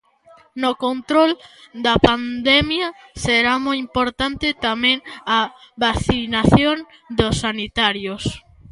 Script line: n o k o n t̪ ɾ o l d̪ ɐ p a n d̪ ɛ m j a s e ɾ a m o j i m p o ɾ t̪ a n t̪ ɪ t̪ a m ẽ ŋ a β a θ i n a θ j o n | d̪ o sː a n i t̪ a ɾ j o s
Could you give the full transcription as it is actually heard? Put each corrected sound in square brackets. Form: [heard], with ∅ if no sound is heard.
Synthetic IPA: n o k o n t̪ ɾ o l d̪ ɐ p a n d̪ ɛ m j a s e ɾ a m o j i m p o ɾ t̪ a n t̪ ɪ t̪ a m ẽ ŋ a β a θ i n a θ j o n | d̪ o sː a n i t̪ a ɾ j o s